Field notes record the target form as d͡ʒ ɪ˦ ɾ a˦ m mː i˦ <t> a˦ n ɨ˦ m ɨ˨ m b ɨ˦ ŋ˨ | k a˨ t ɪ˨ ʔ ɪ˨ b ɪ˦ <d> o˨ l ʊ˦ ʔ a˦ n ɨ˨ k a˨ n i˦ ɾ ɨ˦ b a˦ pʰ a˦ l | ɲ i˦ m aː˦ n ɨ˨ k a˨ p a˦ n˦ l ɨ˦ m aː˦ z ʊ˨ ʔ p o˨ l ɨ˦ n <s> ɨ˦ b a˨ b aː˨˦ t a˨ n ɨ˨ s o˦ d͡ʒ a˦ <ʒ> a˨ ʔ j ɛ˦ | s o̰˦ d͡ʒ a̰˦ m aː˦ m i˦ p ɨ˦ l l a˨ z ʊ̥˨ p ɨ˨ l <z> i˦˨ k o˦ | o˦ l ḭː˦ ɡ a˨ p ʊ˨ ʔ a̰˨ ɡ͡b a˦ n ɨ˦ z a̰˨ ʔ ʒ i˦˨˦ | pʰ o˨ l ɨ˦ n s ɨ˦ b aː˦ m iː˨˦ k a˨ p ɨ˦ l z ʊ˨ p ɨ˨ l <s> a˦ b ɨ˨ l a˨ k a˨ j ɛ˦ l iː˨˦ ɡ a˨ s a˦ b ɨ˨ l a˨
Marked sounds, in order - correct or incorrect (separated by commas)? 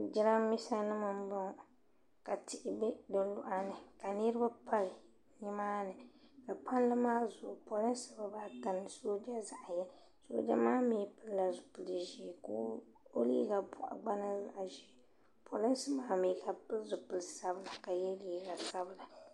incorrect, correct, correct, incorrect, incorrect, correct